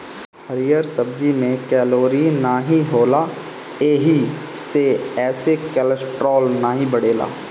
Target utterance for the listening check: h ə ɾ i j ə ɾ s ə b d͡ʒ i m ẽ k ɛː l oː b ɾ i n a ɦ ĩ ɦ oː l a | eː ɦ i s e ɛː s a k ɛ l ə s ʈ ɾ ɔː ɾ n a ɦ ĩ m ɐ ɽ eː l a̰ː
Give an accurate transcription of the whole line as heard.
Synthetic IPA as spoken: h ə ɾ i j ə ɾ s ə b d͡ʒ i m ẽ k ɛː l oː ɾ i n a ɦ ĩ ɦ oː l a | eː ɦ i s e ɛː s e k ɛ l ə s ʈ ɾ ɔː l n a ɦ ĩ b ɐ ɽ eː l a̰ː